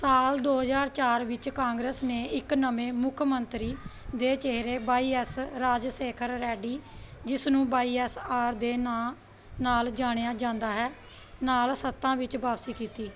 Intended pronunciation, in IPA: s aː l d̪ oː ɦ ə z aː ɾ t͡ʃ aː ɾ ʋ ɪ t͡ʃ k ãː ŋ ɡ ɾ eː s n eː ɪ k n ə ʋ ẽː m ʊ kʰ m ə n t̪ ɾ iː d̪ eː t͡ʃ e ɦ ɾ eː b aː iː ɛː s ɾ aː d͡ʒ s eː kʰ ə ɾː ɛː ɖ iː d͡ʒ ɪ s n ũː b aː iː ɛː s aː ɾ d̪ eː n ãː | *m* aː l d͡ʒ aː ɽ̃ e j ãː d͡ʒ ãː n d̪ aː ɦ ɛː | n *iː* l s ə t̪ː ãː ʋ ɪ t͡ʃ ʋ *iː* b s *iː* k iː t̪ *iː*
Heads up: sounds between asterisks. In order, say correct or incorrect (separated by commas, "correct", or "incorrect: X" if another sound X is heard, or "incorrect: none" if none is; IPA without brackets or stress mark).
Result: incorrect: n, incorrect: aː, incorrect: aː, correct, correct